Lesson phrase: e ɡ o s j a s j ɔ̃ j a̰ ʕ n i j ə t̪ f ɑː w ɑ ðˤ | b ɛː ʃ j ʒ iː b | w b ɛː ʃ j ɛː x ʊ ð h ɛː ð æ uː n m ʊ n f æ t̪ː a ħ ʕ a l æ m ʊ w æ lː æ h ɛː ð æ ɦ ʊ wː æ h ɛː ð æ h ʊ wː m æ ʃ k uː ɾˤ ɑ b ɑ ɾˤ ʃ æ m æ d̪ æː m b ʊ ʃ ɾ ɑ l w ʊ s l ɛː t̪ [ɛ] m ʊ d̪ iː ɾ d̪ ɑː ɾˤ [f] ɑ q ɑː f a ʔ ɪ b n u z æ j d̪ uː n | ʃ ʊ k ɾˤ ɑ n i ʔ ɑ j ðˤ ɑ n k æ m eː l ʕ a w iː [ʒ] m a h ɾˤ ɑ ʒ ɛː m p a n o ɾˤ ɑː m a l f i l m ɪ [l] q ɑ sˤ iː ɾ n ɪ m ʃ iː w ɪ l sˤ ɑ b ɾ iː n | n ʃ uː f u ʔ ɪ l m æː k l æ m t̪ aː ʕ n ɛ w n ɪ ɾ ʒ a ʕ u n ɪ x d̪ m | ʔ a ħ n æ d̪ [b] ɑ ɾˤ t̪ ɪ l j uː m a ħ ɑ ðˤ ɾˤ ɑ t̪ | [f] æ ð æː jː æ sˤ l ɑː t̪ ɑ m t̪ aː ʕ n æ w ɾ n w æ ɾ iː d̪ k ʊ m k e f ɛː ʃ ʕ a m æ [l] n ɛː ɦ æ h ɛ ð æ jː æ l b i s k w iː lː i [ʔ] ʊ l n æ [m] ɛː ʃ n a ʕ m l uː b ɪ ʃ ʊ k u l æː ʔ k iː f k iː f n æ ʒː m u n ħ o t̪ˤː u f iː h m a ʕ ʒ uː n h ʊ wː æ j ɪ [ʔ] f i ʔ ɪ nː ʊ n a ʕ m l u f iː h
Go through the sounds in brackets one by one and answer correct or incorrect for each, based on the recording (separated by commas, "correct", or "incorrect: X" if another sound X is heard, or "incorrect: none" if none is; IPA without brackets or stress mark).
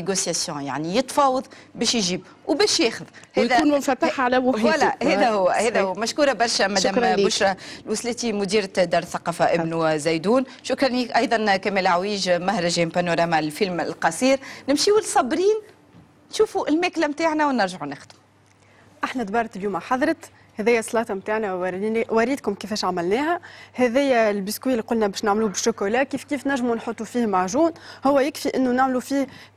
incorrect: i, incorrect: θ, correct, correct, correct, incorrect: h, correct, incorrect: q, incorrect: b, incorrect: k